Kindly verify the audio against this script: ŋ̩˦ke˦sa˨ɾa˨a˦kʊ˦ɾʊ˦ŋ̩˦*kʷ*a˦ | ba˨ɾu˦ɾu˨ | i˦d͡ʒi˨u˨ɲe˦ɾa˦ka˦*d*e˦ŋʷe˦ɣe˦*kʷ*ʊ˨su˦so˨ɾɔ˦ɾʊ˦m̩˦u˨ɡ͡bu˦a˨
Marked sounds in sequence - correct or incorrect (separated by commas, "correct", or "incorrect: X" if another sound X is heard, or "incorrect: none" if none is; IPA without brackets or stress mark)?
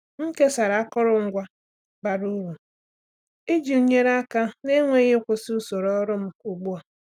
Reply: incorrect: ɡʷ, incorrect: n, correct